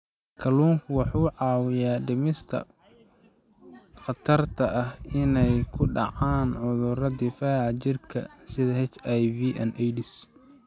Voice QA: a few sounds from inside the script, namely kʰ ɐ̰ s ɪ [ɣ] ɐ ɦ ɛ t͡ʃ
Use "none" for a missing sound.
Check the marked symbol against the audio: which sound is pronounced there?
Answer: ð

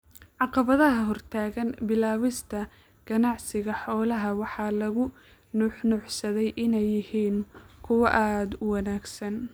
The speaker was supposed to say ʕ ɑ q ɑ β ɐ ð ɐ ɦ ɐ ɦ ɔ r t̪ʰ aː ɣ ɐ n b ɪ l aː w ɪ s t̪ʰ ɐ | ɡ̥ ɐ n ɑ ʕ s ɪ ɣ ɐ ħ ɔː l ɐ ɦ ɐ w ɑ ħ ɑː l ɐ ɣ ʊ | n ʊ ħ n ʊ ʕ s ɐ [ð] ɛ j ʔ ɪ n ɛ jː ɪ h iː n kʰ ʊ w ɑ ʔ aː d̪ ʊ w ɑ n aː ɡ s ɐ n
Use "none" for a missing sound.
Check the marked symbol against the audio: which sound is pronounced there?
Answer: ð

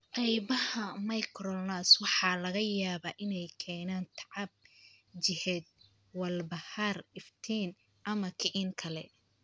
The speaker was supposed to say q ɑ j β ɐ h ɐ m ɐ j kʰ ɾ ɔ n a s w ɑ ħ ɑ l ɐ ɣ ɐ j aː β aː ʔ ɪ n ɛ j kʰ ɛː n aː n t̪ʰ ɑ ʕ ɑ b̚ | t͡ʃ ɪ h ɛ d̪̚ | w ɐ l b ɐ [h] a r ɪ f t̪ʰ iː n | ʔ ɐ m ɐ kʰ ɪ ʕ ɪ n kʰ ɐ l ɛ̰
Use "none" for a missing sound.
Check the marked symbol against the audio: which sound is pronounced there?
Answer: h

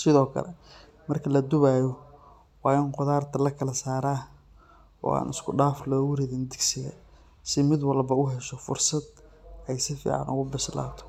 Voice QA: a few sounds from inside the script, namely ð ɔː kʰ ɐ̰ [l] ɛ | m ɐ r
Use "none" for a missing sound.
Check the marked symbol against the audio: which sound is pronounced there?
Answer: l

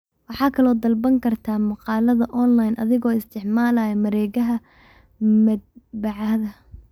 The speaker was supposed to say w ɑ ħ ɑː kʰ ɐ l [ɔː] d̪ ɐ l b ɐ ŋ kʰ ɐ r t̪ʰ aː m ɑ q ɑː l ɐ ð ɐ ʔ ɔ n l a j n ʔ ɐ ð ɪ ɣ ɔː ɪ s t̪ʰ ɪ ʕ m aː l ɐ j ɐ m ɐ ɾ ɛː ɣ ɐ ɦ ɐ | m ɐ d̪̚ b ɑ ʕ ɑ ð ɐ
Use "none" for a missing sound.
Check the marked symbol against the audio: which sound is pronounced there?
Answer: ɔː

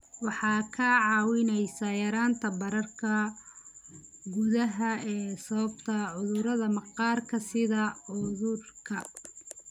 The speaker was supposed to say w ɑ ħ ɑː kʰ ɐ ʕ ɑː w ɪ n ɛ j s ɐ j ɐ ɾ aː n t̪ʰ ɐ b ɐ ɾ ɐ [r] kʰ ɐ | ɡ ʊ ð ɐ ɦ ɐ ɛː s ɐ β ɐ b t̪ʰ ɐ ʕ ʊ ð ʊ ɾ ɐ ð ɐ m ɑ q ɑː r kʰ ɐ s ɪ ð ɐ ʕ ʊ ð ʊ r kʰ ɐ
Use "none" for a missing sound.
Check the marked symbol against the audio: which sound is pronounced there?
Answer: r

